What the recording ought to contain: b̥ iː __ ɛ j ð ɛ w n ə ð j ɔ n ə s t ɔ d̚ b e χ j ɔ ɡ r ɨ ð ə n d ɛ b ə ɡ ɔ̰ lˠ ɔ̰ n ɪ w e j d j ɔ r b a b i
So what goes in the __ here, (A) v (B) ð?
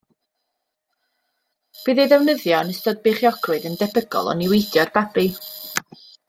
B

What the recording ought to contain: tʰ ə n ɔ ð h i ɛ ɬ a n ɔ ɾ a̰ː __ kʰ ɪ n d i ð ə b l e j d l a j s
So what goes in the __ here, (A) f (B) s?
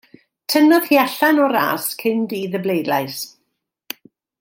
B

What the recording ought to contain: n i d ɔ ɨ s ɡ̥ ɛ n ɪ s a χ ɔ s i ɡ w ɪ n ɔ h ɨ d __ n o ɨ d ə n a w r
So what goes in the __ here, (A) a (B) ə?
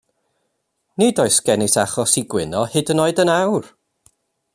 B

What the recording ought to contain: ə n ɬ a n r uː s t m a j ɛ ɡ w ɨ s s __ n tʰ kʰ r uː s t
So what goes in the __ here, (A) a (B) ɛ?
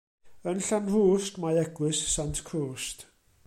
A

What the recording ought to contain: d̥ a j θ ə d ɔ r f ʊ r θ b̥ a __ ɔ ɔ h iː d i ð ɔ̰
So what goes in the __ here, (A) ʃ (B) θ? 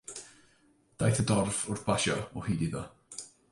A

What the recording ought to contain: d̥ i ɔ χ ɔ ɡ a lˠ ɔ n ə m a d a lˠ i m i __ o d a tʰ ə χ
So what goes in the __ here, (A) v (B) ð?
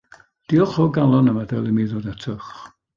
B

